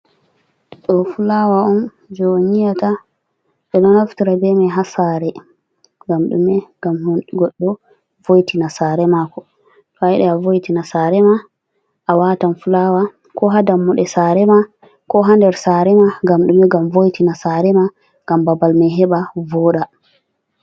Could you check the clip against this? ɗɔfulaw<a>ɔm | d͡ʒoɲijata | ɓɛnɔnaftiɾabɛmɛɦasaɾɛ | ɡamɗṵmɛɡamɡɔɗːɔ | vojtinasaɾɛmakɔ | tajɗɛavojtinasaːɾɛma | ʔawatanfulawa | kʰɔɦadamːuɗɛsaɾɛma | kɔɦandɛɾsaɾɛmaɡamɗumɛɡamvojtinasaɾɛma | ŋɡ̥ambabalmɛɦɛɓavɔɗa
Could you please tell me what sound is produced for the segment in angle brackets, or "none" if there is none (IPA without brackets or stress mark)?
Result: a